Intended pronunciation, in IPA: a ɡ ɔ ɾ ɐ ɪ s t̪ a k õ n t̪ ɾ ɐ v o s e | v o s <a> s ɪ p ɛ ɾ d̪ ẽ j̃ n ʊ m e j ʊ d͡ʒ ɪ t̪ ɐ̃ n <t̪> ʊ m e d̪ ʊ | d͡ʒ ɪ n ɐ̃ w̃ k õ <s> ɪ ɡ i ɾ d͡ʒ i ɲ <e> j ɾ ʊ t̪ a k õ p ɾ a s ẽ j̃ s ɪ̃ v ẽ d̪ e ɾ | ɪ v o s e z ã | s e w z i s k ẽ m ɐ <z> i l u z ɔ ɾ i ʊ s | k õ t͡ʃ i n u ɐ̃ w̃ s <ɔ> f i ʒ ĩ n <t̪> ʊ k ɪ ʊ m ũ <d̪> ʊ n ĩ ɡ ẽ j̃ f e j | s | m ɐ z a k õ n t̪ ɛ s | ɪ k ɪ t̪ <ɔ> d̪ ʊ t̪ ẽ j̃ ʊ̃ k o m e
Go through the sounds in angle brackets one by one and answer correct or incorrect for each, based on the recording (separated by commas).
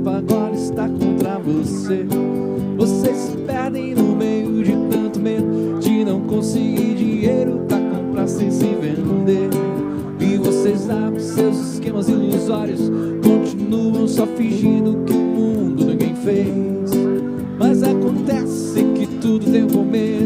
incorrect, correct, correct, correct, correct, correct, incorrect, correct, incorrect